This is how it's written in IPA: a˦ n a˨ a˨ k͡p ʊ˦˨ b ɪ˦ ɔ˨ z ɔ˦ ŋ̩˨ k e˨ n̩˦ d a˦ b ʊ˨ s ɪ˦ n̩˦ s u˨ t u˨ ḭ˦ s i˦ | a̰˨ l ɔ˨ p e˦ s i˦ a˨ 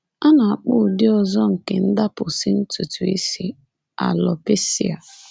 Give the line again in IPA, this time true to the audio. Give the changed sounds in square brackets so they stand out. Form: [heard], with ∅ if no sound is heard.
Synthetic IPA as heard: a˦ n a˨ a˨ k͡p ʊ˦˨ [d] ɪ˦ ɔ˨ z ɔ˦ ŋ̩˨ k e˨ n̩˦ d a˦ [p] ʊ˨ s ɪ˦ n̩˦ [t] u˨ t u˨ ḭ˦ s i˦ | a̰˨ l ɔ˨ p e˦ s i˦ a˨